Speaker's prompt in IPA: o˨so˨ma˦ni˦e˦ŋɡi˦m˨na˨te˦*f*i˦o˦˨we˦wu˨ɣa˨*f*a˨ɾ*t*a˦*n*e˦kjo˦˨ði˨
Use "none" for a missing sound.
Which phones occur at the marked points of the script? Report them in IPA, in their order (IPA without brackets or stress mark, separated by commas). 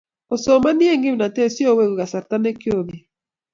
s, s, t, n